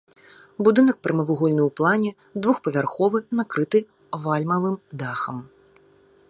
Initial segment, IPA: b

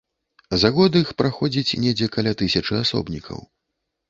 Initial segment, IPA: z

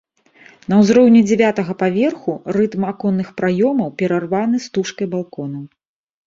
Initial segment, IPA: n̪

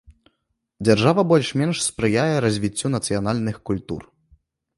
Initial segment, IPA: d͡zʲ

